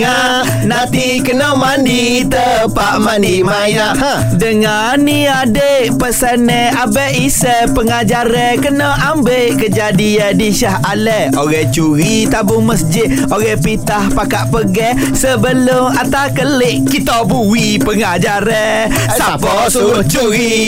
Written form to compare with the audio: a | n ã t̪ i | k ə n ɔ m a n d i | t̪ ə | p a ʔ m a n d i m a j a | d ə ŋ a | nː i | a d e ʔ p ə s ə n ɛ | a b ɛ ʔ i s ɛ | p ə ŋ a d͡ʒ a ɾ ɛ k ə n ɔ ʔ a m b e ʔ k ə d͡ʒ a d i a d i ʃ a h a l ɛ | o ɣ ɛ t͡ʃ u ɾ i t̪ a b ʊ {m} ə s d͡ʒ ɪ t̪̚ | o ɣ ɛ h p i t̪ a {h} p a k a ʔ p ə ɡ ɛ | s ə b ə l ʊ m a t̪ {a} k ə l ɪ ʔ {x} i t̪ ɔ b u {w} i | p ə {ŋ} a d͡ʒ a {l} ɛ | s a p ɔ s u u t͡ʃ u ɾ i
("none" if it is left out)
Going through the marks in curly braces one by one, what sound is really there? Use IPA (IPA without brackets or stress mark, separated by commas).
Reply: m, h, a, k, w, ŋ, ɾ